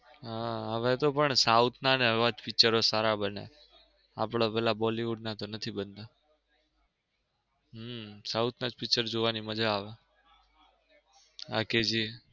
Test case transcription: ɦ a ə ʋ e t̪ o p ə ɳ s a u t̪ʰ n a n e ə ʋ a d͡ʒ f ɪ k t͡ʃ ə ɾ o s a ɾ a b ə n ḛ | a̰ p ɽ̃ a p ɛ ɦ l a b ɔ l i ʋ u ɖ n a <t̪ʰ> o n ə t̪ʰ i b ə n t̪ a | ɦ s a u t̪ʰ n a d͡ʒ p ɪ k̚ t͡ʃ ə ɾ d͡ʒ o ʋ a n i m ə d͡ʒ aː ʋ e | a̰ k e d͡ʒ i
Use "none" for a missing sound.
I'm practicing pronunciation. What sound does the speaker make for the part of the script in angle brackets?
t̪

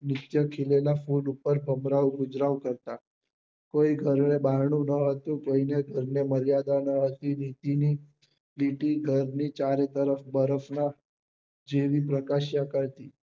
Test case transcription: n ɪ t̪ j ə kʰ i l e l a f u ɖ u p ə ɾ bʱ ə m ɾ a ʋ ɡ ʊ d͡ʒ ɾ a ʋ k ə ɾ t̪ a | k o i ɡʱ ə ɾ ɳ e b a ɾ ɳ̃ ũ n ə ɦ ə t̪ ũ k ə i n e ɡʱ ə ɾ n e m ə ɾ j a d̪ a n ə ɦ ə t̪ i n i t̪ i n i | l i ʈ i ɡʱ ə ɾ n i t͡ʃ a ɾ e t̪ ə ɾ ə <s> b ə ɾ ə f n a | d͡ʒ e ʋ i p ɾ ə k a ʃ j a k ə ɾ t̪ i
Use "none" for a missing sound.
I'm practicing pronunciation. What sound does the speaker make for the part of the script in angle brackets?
f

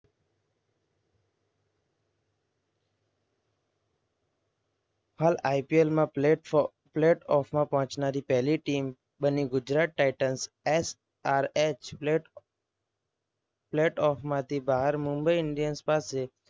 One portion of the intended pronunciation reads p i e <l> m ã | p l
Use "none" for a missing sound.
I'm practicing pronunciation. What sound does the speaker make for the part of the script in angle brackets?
l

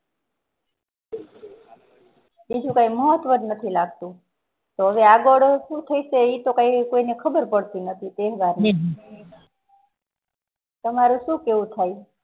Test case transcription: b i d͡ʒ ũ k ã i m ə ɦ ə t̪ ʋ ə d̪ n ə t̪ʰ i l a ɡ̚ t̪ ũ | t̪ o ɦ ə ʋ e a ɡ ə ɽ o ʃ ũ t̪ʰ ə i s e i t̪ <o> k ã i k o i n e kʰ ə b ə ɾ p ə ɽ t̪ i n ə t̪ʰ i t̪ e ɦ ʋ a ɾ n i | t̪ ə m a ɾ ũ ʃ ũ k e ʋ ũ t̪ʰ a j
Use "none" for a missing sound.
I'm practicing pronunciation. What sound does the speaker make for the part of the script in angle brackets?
o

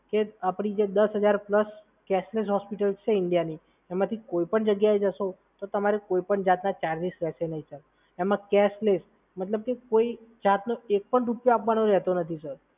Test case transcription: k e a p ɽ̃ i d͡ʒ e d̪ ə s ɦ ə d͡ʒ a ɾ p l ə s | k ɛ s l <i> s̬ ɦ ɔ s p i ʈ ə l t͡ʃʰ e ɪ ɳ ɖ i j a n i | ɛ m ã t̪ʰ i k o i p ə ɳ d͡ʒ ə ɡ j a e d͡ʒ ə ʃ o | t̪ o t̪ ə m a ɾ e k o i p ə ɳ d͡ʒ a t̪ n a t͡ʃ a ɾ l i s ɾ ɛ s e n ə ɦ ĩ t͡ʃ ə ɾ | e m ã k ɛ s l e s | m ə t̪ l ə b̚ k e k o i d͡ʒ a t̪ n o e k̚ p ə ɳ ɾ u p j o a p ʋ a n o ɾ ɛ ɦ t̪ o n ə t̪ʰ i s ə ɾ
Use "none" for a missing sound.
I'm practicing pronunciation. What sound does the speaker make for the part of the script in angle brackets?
e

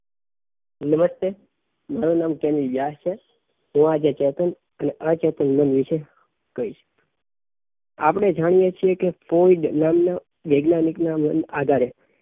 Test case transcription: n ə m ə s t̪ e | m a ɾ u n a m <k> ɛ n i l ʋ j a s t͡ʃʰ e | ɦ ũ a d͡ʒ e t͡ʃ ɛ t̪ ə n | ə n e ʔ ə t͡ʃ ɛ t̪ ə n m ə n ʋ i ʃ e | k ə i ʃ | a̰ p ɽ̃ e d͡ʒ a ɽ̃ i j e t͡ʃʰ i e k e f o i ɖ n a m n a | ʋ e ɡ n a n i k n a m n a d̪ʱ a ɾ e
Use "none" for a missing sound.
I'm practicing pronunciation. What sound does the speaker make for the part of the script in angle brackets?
k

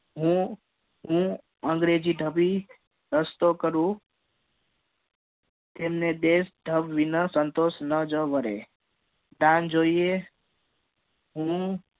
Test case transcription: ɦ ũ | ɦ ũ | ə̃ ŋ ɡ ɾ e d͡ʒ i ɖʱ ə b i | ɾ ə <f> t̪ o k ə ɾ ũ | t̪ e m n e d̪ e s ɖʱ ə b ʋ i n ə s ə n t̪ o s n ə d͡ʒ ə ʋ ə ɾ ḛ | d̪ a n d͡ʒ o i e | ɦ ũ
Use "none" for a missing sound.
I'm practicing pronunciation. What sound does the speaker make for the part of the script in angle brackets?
s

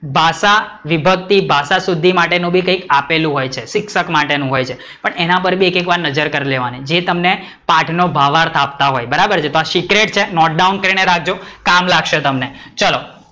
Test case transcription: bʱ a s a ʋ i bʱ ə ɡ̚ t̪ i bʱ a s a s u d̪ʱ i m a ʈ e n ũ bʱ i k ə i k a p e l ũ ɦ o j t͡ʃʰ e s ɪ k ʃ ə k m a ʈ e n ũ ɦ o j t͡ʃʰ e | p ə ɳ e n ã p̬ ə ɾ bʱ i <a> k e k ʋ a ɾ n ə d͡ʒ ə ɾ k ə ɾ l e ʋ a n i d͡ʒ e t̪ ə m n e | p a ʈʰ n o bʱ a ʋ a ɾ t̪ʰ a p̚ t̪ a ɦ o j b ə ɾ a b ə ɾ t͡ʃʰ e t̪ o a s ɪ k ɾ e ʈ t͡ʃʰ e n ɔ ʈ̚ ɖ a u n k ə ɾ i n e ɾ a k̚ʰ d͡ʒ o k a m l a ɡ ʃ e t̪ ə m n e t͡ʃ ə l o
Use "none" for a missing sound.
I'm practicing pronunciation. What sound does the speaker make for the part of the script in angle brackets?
e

